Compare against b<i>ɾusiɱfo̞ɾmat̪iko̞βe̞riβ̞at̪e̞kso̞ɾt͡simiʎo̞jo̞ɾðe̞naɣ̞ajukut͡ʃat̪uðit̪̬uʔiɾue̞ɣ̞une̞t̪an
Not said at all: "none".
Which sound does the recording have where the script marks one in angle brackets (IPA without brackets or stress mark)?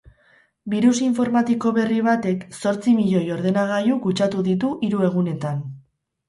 i